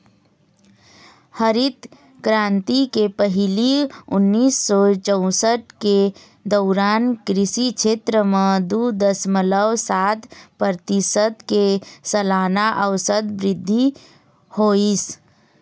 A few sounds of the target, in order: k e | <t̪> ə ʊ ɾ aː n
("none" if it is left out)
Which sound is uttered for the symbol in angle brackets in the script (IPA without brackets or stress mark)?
d̪